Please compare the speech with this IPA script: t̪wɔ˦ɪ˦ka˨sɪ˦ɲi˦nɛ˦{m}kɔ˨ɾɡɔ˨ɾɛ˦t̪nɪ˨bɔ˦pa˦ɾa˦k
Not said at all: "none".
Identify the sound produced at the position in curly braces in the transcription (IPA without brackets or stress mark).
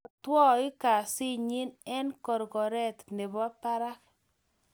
n